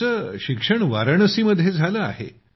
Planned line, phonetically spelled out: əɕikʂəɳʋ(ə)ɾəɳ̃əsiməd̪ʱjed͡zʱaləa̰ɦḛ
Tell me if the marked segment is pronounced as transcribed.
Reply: no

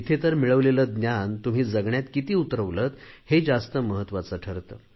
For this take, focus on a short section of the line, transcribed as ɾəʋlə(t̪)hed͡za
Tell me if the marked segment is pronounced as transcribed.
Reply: yes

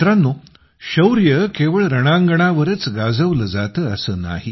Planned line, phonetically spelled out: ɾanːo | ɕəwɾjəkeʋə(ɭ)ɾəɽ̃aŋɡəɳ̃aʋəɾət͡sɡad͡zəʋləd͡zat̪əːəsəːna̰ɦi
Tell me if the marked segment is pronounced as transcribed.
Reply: yes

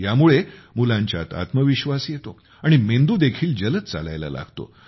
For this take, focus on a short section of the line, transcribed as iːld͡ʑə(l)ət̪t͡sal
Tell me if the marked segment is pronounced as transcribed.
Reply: yes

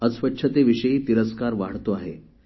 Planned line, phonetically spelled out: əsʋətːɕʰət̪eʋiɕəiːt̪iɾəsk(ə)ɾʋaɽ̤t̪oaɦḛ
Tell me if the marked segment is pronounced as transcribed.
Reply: no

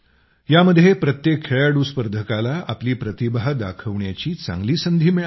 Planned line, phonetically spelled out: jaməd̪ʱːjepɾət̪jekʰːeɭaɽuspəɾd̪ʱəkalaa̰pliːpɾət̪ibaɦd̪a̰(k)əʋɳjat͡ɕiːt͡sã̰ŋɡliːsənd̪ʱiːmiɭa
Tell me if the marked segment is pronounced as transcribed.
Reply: no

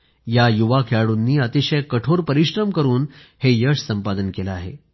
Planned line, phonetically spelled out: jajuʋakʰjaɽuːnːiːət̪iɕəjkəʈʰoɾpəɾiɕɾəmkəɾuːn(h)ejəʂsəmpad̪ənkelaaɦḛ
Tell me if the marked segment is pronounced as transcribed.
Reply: yes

